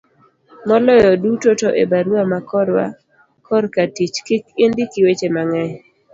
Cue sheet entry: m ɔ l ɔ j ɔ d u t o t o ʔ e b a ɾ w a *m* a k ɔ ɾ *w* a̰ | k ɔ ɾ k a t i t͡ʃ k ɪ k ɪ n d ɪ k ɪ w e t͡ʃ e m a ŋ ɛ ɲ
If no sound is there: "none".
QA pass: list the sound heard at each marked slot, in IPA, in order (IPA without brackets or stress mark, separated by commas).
m, w